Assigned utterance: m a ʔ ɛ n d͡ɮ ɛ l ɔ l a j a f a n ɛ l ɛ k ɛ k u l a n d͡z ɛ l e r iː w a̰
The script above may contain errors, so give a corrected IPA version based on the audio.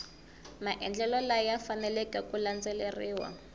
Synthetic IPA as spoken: m a ʔ ɛ n d͡ɮ ɛ l ɔ l a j a f a n ɛ l ɛ k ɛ k u l a n d͡z ɛ l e r iː w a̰

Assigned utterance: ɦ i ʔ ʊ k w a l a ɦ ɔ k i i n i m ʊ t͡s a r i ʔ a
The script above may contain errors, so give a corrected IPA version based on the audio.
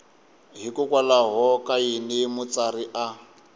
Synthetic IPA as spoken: ɦ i k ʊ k w a l a ɦ ɔ k a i n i m ʊ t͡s a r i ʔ a

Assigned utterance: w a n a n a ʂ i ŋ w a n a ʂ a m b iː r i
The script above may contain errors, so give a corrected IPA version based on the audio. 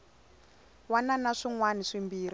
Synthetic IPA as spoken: w a n a n a ʂ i ŋ w a n i ʂ i m b iː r i

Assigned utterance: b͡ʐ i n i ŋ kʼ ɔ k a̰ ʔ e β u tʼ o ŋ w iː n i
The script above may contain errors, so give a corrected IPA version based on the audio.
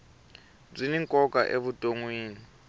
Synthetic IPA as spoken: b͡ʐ i n i ŋ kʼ ɔ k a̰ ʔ e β u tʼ o ŋ w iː n i

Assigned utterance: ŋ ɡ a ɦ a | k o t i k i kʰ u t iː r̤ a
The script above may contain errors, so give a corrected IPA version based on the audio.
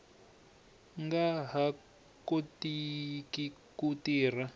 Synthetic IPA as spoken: ŋ ɡ a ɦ a | k o t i k i k u t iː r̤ a

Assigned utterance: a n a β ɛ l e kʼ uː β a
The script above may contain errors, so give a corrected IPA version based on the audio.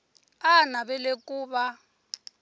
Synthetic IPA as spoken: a n a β ɛ l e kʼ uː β a

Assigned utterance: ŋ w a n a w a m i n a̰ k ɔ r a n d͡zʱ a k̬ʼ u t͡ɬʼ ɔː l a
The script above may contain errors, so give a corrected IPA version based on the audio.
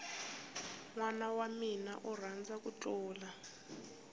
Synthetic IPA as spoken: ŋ w a n a w a m i n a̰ ʔ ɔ r a n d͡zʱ a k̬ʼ u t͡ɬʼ ɔː l a

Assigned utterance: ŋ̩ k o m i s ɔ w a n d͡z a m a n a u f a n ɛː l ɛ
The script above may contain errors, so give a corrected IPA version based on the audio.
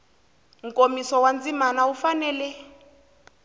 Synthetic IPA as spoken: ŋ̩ k o m i s ɔ w a n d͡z i m a n a u f a n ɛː l ɛ

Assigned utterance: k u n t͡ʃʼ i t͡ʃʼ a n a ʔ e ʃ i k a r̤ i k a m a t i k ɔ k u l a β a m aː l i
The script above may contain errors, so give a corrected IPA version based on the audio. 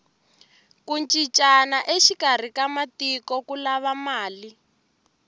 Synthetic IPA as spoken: k u n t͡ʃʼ i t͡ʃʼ a n a ʔ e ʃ i k a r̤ i k a m a t i k ɔ k u l a β a m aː l i

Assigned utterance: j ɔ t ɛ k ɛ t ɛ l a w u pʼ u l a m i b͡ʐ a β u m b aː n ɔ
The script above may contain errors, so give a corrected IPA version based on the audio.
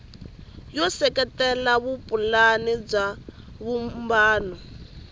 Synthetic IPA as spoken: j ɔ s ɛ k ɛ t ɛ l a β u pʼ u l a n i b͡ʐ a β u m b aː n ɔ

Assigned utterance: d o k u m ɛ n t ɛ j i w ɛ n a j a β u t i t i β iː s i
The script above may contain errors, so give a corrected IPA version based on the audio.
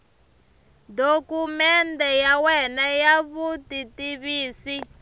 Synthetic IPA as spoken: d o k u m ɛ n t ɛ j a w ɛ n a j a β u t i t i β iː s i

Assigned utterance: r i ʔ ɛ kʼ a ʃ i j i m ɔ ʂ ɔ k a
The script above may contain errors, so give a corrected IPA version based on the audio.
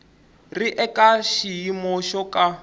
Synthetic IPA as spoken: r i ʔ ɛ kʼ a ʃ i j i m ɔ ʃ ɔ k a

